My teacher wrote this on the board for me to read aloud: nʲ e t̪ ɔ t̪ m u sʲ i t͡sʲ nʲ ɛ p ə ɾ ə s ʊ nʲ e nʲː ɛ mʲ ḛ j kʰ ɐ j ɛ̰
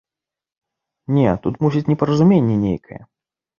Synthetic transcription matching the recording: nʲ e t̪ u t̪ m u sʲ i t͡sʲ nʲ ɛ p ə ɾ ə z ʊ mʲ e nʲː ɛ nʲ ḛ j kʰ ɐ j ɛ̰